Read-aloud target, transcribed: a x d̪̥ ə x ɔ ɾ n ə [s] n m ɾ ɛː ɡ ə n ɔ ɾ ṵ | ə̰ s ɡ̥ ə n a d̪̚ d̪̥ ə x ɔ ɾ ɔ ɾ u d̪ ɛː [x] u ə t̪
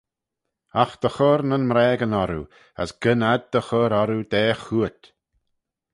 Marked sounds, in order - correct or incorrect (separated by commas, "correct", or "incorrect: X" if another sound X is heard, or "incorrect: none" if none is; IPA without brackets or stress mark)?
incorrect: none, correct